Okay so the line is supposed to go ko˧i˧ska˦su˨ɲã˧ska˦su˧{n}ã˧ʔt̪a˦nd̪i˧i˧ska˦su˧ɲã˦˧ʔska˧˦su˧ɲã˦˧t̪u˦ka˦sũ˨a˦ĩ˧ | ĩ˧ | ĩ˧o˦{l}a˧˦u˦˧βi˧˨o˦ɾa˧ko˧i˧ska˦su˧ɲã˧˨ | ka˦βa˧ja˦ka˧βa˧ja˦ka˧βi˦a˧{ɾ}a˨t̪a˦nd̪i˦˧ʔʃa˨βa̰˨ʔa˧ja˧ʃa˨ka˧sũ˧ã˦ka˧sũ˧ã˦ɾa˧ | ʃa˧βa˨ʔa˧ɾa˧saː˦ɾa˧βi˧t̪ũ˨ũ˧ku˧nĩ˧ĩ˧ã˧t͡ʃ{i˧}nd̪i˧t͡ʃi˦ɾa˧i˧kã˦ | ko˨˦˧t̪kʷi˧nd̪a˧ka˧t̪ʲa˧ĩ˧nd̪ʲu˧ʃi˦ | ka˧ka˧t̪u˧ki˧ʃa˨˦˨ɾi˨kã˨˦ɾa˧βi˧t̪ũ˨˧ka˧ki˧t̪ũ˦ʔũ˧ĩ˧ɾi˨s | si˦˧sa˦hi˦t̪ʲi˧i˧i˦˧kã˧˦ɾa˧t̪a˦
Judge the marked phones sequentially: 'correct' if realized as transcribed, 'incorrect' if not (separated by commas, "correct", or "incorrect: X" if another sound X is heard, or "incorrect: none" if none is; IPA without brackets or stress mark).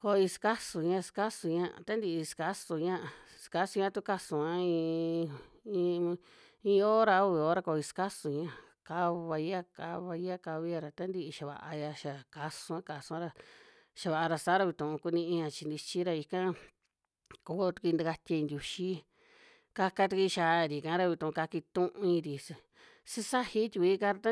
incorrect: ɲ, incorrect: ɾ, correct, correct